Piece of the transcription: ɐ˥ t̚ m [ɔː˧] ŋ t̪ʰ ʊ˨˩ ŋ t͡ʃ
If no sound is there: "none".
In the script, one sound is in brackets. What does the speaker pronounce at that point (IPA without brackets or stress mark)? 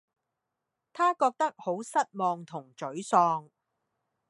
ɔː˧